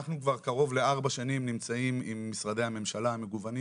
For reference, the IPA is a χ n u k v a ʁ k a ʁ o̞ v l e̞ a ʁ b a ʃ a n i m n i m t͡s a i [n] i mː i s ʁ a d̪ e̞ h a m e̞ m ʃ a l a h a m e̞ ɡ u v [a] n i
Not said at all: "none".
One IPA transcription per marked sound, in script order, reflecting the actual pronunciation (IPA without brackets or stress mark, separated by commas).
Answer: m, a